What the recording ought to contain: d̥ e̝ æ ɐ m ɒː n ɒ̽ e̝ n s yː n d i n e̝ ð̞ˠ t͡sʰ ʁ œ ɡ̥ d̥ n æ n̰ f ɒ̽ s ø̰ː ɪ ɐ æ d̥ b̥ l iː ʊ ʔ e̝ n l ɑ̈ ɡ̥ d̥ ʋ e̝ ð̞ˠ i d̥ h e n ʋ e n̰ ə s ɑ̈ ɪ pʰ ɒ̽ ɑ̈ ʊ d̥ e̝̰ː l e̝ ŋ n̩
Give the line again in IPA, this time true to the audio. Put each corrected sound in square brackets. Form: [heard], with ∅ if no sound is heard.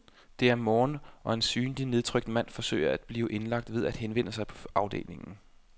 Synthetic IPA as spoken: d̥ e̝ æ ɐ m ɒː n ɒ̽ e̝ n s yː n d i n e̝ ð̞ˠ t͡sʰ ʁ œ ɡ̥ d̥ [m] æ n̰ f ɒ̽ s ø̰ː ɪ ɐ æ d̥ b̥ l iː ʊ ʔ e̝ n l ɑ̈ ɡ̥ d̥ ʋ e̝ ð̞ˠ [æ] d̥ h e n ʋ e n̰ ə s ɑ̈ ɪ pʰ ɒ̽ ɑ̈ ʊ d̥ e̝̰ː l e̝ ŋ n̩